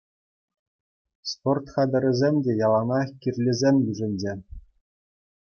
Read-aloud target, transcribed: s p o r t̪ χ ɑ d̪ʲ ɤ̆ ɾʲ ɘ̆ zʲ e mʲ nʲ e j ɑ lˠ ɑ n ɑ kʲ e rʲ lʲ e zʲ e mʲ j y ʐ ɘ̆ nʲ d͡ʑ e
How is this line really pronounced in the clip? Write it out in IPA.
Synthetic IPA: s p o r t̪ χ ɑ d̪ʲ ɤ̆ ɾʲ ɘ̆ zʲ e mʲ dʲ e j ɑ lˠ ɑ n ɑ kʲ i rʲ lʲ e zʲ e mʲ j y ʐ ɘ̆ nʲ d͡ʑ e